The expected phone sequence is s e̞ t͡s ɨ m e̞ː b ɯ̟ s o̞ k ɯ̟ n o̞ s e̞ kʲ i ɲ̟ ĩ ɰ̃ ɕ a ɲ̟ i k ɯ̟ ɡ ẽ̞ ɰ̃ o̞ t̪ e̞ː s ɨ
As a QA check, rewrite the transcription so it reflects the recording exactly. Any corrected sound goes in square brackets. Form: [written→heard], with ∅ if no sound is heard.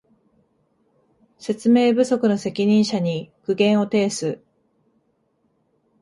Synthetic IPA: s e̞ t͡s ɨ m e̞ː b ɯ̟ s o̞ k ɯ̟ n o̞ s e̞ kʲ i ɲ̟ ĩ ɰ̃ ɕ a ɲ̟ i k ɯ̟ ɡ ẽ̞ ɰ̃ o̞ t̪ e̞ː s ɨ